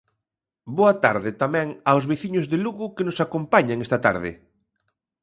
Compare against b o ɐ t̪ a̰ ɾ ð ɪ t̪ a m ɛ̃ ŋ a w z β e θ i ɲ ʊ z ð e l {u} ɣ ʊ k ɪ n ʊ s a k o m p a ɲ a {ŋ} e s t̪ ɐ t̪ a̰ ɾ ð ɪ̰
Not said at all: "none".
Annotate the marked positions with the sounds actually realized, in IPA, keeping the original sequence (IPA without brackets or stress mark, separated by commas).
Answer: u, ŋ